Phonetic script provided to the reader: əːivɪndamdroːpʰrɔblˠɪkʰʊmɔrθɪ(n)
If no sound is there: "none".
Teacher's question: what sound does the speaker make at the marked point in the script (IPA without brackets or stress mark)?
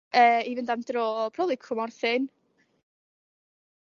n